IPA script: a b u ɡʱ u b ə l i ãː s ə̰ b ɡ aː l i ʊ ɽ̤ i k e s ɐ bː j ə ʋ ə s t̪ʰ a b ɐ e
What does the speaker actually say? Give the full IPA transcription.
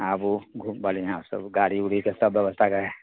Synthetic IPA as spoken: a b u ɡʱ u b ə l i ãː s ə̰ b ɡ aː ɽ i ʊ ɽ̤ i k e s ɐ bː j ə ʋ ə s t̪ʰ a ɡ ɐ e